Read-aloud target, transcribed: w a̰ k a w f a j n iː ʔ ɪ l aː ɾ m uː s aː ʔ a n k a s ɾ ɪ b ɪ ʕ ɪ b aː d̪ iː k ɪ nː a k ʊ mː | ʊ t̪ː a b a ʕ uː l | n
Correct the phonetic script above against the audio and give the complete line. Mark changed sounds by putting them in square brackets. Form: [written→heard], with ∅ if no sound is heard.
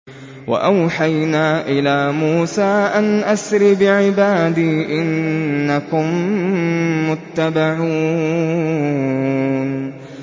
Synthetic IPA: w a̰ [k→ʔ] a w [f→ħ] a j n [iː→aː] ʔ ɪ l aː [ɾ→∅] m uː s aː ʔ a n [k→ʔ] a s ɾ ɪ b ɪ ʕ ɪ b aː d̪ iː [k→ʔ] ɪ nː a k ʊ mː | ʊ t̪ː a b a ʕ uː [l→∅] | n